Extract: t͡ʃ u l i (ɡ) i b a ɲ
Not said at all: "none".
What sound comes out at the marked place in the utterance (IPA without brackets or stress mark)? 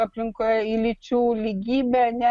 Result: ɡ